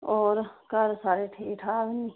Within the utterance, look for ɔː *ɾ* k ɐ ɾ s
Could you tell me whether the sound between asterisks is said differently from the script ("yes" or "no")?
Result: no